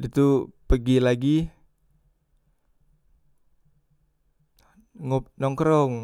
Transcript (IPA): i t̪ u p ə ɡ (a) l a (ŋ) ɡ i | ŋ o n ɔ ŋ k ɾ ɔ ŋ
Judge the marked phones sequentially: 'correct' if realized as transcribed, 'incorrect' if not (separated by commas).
incorrect, incorrect